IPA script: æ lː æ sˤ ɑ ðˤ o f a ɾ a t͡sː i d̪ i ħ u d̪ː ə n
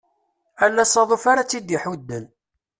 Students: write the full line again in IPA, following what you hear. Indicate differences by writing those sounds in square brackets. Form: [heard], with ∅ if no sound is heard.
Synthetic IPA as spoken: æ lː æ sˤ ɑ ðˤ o f a ɾ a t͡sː i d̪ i ħ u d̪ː ə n